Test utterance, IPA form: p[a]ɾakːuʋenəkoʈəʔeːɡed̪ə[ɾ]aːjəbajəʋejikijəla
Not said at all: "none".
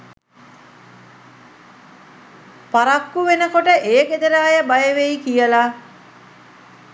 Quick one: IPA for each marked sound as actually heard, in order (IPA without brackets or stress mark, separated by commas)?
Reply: a, ɾ